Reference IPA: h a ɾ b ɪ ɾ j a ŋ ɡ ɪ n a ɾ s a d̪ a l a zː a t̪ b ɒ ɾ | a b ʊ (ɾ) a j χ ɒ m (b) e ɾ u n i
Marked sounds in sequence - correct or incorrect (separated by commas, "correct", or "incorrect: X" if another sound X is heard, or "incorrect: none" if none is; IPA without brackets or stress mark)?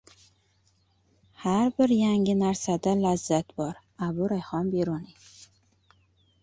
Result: correct, correct